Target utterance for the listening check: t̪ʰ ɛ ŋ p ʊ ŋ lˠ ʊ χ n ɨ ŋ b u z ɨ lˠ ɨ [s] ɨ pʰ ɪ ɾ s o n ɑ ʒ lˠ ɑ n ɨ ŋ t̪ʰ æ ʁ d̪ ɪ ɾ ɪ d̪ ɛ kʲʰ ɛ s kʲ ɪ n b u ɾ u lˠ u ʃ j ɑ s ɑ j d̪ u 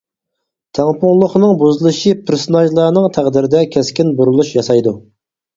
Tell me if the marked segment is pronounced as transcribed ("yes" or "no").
no